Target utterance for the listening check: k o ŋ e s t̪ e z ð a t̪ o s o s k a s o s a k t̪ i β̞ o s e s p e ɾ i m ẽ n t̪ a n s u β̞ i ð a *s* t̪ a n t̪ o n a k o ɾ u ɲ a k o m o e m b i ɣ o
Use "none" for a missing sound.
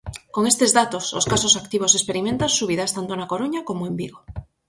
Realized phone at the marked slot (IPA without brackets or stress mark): s